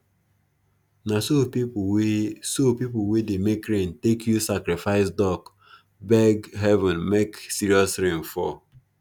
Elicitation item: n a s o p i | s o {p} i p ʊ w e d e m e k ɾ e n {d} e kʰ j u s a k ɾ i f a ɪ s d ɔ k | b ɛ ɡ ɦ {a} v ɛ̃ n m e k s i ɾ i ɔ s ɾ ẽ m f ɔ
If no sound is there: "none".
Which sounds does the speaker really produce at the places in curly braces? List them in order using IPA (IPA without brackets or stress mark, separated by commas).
p, t, ɛ